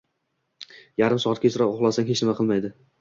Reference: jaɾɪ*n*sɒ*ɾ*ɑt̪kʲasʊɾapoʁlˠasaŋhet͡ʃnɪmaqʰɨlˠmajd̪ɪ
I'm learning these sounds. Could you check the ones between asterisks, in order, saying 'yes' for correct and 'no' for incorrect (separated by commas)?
no, no